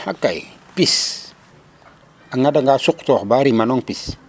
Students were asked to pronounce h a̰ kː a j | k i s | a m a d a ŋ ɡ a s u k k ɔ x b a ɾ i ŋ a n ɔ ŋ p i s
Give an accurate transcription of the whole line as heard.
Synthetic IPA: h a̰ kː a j | p i s | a ŋ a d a ŋ ɡ a s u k t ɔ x b a ɾ i m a n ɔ ŋ p i s